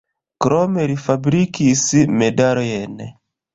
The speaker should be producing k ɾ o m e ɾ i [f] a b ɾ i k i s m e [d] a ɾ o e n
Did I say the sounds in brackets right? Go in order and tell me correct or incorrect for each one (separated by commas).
correct, correct